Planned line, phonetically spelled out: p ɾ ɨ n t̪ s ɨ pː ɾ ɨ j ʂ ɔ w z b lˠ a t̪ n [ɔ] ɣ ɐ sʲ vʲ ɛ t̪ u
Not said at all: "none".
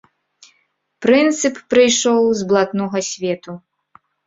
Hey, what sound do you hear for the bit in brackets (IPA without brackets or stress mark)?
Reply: ɔ